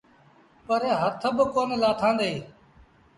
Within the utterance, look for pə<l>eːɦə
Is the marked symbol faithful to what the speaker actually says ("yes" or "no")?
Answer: no